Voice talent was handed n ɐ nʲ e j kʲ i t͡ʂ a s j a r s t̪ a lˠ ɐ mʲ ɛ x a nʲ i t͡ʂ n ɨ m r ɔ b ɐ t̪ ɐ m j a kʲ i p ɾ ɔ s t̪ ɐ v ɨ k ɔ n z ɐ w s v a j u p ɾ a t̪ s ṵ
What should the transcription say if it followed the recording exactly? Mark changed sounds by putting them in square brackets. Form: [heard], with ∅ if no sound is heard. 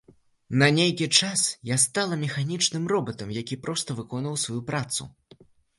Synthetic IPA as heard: n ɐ nʲ e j kʲ i t͡ʂ a s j a [∅] s t̪ a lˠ ɐ mʲ ɛ x a nʲ i t͡ʂ n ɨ m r ɔ b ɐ t̪ ɐ m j a kʲ i p ɾ ɔ s t̪ ɐ v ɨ k ɔ n [v] ɐ w s v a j u p ɾ a t̪ s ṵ